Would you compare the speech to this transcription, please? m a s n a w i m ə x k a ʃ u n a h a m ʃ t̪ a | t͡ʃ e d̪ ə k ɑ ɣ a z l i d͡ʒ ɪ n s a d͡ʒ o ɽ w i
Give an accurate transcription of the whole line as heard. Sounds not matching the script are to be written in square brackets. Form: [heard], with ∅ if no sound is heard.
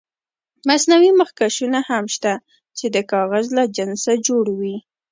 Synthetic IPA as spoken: m a s n a w i m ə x k a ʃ u n a h a m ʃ t̪ a | t͡ʃ e d̪ ə k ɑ ɣ a z l [a] d͡ʒ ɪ n s a d͡ʒ o ɽ w i